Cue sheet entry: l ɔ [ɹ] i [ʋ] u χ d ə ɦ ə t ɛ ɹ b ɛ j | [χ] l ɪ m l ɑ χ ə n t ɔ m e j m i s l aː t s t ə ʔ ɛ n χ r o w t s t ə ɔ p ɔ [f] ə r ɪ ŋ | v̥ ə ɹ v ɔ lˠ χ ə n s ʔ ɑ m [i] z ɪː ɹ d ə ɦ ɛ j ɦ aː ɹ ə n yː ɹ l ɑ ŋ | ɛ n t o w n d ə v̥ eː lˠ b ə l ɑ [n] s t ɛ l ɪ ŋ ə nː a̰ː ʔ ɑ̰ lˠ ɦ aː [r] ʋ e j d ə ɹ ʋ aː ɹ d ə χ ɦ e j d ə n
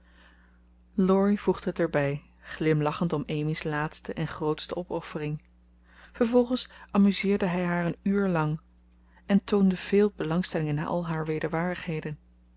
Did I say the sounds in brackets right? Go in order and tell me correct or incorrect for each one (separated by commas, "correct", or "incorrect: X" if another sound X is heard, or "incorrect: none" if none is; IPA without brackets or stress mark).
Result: correct, incorrect: v, correct, correct, incorrect: y, incorrect: ŋ, incorrect: ɹ